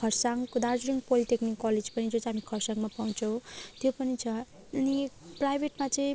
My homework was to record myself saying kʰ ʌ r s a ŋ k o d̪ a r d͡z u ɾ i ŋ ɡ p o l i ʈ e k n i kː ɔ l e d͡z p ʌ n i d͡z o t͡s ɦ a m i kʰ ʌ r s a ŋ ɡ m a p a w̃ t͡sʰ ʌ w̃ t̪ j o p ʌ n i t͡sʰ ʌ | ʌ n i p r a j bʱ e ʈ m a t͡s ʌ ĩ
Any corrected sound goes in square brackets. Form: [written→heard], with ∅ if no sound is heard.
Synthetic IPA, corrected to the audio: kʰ ʌ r s a ŋ k o d̪ a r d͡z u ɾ i ŋ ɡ p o l i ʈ e k n i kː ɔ l e d͡z p ʌ n i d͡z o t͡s ɦ a m i kʰ ʌ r s a ŋ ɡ m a p a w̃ t͡sʰ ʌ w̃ t̪ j o p ʌ n i t͡sʰ ʌ | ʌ n i p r a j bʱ e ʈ m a t͡s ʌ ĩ